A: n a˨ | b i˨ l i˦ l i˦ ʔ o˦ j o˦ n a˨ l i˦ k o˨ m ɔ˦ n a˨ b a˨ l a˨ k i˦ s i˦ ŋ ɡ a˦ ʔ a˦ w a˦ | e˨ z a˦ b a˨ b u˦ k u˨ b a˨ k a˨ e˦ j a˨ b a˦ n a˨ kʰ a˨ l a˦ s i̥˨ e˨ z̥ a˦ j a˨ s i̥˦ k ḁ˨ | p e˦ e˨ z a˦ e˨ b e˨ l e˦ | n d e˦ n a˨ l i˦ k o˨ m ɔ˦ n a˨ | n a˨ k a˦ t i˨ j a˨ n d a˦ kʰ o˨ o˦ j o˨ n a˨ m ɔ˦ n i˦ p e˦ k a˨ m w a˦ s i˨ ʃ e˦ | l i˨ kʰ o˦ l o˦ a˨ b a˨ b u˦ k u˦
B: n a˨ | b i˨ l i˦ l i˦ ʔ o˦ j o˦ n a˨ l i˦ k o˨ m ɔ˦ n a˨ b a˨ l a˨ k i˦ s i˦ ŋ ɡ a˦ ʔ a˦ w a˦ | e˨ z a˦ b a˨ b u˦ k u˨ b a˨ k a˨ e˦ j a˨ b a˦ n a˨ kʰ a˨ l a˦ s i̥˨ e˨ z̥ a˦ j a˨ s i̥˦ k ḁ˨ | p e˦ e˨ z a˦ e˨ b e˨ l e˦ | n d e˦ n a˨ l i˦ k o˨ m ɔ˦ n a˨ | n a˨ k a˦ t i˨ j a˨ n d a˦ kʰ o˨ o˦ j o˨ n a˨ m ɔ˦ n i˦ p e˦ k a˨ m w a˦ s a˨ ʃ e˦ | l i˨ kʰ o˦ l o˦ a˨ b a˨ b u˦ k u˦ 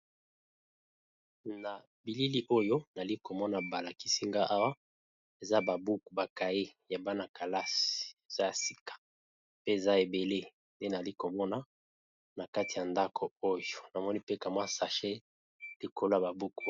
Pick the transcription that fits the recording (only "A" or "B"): B